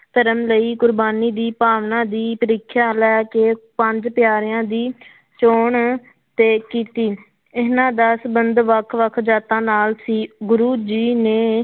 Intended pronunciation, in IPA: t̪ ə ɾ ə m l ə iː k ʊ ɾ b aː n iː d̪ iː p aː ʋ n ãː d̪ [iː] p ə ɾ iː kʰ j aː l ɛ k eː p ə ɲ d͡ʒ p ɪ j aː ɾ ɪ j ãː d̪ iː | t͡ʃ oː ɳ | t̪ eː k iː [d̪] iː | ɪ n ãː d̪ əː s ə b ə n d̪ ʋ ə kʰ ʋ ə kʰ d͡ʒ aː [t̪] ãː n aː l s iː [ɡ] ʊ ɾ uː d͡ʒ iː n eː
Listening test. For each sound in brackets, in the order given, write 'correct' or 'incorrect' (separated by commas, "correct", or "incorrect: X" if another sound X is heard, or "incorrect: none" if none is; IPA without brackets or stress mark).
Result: correct, incorrect: t̪, correct, correct